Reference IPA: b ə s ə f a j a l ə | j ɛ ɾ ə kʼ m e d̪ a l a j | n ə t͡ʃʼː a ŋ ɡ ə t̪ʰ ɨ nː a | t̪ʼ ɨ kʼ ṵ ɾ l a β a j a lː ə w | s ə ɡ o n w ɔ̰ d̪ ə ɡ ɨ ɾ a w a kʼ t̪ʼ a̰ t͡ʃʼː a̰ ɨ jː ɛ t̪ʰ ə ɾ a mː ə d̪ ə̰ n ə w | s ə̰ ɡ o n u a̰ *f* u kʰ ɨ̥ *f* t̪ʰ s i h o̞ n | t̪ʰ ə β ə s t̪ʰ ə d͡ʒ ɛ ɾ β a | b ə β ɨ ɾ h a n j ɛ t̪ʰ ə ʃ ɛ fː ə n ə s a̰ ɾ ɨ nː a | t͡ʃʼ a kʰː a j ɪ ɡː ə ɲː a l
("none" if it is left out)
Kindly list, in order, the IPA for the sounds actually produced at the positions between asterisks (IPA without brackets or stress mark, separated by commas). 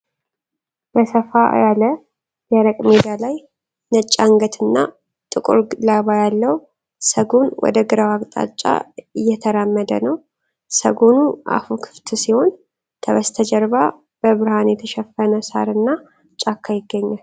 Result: f, f